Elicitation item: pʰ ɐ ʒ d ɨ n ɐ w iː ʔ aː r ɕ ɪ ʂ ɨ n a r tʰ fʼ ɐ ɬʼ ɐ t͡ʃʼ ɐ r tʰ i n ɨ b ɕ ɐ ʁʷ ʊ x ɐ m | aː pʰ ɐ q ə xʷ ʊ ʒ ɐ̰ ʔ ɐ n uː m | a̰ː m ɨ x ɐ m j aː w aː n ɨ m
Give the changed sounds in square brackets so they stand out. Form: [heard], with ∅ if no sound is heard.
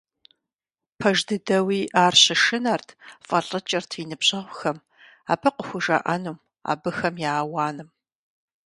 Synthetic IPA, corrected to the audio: pʰ ɐ ʒ d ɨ [d] ɐ w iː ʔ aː r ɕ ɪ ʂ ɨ n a r tʰ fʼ ɐ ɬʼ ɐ t͡ʃʼ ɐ r tʰ i n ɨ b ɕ ɐ ʁʷ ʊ x ɐ m | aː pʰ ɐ q ə xʷ ʊ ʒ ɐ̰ ʔ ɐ n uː m | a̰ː [b] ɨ x ɐ m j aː w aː n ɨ m